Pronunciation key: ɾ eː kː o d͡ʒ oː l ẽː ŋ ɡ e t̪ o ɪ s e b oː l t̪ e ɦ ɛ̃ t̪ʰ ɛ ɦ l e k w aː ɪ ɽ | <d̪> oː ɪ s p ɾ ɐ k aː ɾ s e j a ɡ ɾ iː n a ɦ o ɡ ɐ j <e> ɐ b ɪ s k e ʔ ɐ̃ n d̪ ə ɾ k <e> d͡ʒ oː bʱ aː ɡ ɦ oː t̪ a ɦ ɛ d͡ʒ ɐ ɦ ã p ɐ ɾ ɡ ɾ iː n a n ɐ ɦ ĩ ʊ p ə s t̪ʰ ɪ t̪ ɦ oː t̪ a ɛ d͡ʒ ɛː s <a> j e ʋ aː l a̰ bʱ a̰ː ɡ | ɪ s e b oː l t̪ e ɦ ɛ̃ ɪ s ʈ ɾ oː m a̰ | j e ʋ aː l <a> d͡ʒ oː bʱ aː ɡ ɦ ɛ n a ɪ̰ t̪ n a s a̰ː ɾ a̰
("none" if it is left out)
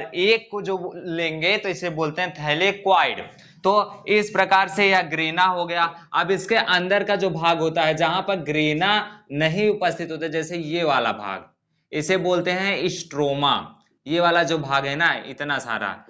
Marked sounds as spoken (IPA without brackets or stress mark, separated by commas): t̪, a, a, e, a